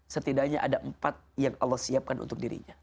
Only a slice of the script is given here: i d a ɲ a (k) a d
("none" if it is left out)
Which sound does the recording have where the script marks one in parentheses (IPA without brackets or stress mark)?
ʔ